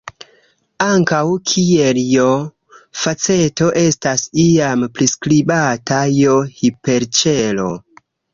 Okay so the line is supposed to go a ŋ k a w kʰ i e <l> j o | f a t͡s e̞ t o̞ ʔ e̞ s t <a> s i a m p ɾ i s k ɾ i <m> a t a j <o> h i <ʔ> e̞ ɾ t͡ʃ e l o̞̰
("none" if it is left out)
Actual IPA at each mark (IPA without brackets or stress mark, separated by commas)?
l, a, b, o, p